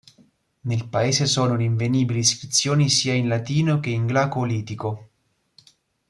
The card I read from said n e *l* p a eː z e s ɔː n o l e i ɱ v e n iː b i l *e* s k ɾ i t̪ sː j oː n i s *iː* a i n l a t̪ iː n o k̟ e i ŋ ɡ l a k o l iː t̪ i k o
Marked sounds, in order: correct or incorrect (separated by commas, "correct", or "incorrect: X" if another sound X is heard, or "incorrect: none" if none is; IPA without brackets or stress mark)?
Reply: correct, incorrect: i, correct